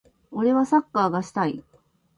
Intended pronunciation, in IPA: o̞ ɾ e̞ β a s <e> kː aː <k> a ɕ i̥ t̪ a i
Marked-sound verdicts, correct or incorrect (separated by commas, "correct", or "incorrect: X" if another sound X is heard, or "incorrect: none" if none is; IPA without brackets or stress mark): incorrect: a, incorrect: ɡ